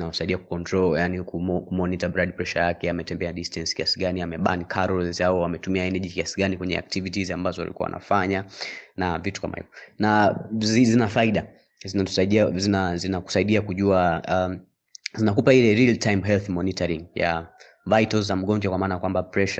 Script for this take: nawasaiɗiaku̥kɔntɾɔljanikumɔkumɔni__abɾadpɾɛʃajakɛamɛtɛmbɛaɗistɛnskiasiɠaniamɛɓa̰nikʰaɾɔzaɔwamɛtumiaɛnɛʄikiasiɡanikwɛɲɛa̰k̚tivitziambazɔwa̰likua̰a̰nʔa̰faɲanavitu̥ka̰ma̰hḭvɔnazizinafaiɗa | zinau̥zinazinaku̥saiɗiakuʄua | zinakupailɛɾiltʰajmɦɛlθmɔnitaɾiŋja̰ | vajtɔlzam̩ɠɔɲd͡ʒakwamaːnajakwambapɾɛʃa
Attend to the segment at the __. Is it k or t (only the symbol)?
t